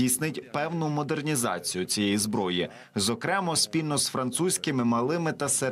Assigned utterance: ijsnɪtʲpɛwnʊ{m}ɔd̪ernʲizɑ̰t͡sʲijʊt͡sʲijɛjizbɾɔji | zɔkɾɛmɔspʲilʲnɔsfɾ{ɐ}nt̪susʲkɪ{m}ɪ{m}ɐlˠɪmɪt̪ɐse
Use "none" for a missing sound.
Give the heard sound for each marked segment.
m, ɐ, m, m

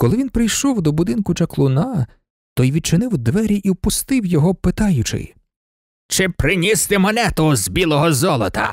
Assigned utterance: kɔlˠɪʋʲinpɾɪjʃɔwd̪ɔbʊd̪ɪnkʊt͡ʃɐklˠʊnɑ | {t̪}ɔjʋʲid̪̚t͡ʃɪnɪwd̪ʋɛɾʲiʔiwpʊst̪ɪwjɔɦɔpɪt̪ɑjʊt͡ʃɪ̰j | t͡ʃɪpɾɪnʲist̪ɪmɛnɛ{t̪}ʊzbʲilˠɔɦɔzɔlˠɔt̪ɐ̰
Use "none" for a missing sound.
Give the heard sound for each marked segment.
t̪, t̪

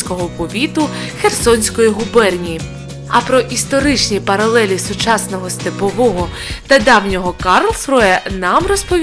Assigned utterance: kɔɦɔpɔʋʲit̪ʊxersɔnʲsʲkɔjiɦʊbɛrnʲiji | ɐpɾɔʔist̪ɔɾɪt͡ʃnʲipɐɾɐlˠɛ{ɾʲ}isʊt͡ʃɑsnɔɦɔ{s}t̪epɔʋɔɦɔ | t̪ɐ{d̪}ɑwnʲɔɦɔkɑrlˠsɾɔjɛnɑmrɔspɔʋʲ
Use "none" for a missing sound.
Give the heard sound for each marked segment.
lʲ, s, d̪

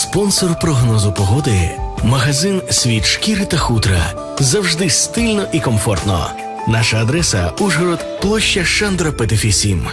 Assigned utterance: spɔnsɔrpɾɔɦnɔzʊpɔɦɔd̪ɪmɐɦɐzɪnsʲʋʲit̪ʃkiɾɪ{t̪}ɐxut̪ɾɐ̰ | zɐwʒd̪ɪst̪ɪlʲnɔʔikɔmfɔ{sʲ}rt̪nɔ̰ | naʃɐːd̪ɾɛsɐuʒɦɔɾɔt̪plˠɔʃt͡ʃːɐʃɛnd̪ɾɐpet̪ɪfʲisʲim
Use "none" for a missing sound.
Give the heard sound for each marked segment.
t̪, none

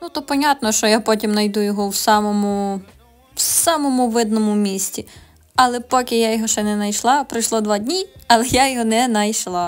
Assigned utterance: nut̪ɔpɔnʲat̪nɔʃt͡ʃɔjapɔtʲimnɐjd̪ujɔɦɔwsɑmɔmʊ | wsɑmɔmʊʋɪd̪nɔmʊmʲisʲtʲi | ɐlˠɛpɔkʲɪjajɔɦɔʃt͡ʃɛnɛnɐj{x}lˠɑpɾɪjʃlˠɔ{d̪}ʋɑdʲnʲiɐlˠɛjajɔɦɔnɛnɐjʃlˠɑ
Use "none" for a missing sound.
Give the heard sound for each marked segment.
ʃ, d̪

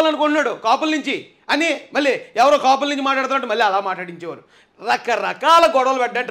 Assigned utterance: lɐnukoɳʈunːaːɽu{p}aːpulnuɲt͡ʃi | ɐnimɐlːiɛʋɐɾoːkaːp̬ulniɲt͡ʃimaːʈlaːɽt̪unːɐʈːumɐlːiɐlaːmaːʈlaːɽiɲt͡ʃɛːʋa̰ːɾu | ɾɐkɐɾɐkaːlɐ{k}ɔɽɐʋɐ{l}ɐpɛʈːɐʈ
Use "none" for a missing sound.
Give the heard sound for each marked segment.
k, ɡ, l

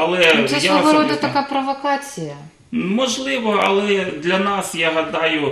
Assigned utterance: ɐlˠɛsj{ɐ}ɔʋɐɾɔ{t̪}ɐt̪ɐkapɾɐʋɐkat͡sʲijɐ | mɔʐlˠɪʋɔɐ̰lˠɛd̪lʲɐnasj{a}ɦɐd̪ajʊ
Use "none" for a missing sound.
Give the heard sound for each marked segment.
a, d̪, a

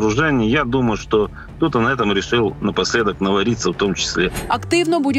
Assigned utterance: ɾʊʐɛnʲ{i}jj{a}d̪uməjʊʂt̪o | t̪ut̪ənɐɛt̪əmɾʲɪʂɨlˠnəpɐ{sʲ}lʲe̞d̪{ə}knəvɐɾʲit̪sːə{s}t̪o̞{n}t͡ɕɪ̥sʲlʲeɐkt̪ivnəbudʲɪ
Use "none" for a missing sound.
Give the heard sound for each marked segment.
ɪ, a, sʲ, ə, f, m

